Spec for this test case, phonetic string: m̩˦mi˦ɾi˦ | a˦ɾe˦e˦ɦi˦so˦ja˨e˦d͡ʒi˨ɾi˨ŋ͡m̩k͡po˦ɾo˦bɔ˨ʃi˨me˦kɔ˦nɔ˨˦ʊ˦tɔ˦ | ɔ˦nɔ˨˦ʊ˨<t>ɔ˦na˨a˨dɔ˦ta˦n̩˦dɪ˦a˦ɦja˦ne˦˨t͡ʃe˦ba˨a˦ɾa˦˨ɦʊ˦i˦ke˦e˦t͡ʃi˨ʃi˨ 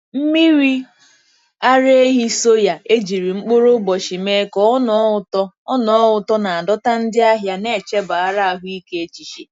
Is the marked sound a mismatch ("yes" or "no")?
no